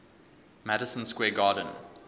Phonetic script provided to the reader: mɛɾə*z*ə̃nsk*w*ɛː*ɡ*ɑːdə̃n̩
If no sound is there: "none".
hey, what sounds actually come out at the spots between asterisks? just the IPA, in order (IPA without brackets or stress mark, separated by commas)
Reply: s, w, ɡ